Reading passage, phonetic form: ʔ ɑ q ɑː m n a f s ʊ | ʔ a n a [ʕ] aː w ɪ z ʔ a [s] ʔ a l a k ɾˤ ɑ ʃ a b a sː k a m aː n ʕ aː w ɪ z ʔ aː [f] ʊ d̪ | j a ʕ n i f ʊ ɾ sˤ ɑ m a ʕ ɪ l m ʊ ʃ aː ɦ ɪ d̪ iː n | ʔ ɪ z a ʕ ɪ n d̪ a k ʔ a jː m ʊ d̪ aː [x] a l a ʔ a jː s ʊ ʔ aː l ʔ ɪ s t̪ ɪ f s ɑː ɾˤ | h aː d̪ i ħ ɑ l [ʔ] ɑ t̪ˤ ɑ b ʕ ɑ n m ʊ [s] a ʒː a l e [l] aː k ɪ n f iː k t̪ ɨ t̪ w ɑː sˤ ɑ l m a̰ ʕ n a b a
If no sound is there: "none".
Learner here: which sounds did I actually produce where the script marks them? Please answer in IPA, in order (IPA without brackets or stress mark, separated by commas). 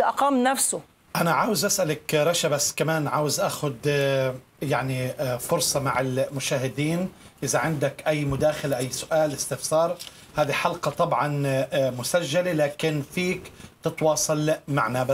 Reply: ʕ, s, x, x, q, s, l